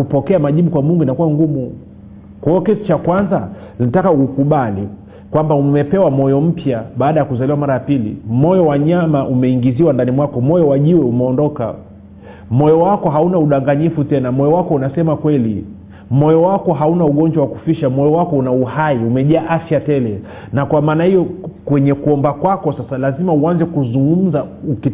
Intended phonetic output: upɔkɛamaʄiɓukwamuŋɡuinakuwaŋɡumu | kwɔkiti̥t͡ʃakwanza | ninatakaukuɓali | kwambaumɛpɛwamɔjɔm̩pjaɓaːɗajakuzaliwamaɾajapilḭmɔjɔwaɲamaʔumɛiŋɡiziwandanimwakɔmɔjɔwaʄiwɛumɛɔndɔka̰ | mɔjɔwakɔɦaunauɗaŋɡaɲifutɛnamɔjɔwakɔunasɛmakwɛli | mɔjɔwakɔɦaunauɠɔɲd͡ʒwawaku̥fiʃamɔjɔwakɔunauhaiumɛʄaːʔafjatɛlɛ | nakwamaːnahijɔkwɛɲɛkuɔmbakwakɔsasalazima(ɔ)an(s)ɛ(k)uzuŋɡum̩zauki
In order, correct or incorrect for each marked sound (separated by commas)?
incorrect, incorrect, correct